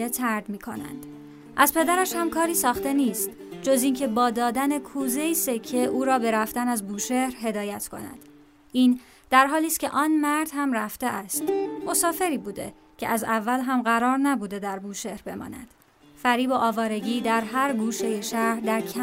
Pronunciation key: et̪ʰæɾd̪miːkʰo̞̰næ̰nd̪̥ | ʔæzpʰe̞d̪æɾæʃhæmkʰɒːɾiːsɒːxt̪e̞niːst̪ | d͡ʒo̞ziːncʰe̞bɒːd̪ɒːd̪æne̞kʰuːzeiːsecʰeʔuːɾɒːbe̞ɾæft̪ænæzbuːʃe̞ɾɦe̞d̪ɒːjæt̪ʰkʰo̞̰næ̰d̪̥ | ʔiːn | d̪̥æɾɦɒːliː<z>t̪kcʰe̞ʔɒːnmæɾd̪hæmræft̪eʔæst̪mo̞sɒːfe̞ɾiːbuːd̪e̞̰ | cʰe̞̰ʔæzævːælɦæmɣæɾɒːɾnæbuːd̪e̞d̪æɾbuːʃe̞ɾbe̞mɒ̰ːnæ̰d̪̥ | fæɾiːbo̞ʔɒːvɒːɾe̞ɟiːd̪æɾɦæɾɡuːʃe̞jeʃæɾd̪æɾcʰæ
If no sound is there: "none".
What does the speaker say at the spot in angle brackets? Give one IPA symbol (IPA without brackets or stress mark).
s